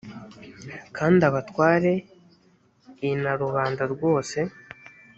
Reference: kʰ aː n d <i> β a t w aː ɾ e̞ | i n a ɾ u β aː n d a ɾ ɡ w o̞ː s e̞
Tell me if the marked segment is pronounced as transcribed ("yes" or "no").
no